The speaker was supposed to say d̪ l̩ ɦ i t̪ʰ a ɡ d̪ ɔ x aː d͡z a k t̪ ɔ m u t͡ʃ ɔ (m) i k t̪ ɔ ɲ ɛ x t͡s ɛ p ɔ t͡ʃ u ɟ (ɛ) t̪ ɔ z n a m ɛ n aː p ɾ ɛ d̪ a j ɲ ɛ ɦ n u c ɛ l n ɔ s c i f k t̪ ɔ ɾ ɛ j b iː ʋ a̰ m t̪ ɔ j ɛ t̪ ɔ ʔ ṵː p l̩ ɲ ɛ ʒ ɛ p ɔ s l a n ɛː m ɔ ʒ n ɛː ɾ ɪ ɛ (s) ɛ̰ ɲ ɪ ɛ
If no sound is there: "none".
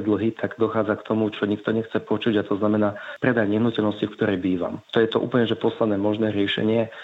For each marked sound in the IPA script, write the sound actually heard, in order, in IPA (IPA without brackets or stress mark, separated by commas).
ɲ, a, ʃ